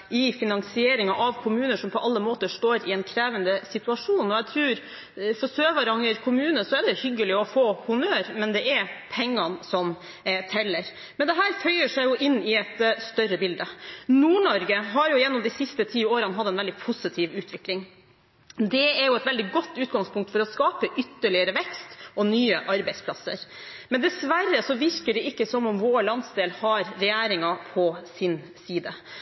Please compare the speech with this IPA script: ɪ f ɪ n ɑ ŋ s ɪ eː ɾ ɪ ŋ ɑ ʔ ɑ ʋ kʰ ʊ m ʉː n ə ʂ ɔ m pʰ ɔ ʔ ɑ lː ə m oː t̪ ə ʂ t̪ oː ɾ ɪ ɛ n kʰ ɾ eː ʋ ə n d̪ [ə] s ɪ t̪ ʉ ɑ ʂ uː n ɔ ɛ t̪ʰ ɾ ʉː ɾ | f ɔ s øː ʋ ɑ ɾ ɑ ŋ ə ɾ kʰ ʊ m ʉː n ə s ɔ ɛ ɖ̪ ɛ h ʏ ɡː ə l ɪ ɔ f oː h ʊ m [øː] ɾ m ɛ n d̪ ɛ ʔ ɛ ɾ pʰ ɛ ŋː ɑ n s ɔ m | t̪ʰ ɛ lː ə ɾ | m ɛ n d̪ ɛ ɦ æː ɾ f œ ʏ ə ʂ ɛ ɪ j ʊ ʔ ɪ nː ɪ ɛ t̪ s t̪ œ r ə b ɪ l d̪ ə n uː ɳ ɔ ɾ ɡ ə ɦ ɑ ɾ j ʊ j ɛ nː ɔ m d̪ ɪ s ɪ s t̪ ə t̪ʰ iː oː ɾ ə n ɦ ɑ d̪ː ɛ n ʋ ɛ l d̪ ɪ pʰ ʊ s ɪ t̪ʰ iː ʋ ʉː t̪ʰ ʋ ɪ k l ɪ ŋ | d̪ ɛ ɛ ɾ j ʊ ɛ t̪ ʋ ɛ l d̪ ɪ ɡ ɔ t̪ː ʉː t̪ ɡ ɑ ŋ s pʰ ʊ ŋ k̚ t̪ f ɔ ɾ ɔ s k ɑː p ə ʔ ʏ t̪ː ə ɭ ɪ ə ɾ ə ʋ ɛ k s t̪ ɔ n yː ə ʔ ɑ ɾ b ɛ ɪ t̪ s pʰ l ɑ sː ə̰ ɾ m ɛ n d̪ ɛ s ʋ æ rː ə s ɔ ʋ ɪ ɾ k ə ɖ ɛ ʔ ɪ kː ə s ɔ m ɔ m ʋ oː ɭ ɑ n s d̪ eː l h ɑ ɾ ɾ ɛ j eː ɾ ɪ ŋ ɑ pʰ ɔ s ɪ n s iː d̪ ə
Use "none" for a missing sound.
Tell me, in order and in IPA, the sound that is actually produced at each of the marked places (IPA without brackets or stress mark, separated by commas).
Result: ə, øː